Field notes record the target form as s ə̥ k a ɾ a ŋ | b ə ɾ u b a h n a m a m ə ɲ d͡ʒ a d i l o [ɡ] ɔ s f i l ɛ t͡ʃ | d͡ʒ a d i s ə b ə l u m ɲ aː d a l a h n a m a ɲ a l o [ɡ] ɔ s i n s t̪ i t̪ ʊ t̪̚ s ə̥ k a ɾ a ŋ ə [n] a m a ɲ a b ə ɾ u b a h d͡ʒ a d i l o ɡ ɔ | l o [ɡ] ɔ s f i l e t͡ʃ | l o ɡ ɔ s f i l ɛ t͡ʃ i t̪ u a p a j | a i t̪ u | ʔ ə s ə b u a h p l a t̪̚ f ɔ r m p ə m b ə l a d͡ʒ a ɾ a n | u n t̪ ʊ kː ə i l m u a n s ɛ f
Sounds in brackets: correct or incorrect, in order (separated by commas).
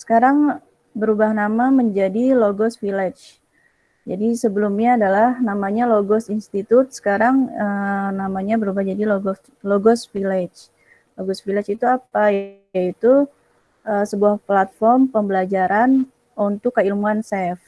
correct, correct, correct, correct